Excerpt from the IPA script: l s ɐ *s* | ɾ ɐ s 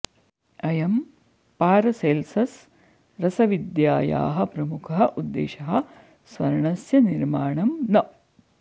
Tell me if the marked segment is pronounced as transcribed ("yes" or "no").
yes